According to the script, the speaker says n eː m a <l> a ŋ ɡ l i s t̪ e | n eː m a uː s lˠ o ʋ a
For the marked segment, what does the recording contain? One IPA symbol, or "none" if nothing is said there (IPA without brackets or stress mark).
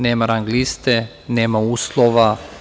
ɾ